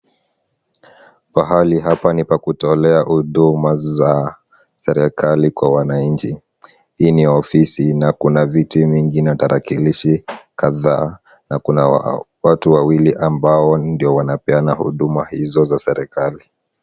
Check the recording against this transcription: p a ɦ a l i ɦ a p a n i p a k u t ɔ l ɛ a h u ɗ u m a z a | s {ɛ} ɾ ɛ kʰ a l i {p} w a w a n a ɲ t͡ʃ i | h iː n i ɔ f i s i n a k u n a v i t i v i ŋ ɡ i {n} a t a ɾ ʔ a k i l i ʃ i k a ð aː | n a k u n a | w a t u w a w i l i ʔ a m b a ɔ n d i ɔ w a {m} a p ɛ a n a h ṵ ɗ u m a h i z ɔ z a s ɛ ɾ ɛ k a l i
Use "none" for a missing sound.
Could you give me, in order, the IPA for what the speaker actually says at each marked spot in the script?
ɛ, k, n, n

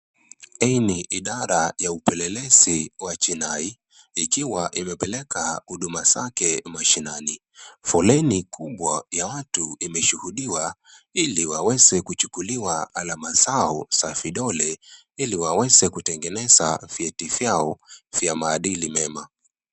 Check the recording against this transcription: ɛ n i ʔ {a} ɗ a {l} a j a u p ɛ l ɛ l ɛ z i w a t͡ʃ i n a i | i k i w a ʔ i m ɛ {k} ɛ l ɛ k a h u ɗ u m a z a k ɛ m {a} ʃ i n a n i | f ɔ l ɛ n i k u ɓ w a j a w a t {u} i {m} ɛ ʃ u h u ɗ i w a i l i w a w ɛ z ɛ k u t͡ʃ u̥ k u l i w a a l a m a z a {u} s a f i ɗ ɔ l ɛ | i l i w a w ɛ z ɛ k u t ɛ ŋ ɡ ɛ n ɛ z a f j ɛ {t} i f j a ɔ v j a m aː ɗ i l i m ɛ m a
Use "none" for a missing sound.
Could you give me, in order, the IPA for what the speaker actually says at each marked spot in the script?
i, ɾ, p, a, u, m, ɔ, t

